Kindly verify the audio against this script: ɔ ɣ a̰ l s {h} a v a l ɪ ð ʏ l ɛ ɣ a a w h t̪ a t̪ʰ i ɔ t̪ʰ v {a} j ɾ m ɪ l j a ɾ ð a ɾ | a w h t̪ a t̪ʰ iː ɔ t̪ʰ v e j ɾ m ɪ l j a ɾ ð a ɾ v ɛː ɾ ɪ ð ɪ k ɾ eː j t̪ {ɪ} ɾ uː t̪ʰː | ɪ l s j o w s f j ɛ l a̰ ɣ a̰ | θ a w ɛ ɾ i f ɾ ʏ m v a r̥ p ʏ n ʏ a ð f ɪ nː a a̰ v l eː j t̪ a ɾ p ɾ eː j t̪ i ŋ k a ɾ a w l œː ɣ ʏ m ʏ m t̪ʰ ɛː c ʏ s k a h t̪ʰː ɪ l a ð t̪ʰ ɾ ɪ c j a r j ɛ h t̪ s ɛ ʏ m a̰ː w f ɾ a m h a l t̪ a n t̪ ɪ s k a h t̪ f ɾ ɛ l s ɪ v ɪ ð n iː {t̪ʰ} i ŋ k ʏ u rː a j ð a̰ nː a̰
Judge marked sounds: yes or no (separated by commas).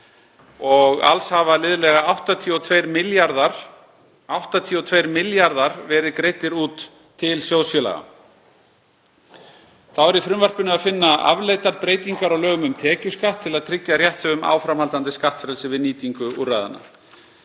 yes, no, yes, no